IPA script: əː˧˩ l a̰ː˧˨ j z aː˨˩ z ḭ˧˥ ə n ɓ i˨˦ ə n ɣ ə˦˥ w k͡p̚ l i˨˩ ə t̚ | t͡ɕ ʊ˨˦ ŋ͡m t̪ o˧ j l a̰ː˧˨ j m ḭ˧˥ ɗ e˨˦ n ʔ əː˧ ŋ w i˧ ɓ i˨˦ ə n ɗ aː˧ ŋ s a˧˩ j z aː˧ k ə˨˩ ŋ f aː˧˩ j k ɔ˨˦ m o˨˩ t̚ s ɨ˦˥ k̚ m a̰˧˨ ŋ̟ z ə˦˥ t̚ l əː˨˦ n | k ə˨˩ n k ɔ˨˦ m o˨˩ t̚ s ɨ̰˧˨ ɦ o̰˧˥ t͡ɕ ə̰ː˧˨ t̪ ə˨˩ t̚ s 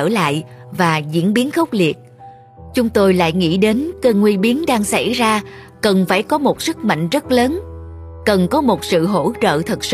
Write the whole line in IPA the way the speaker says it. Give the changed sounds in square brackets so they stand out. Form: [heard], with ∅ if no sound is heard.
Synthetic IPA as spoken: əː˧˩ l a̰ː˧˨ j [v] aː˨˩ z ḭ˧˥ ə n ɓ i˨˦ ə n [x] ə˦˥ w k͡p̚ l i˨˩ ə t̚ | t͡ɕ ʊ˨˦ ŋ͡m t̪ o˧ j l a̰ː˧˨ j [ŋ] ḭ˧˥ ɗ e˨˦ n [k] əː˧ ŋ w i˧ ɓ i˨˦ ə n ɗ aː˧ ŋ s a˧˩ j z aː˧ k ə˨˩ [n] f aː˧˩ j k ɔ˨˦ m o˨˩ t̚ s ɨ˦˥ k̚ m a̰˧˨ ŋ̟ z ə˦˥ t̚ l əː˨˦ n | k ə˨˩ n k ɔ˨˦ m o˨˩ t̚ s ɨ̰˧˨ ɦ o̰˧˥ t͡ɕ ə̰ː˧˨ [t̪ʰ] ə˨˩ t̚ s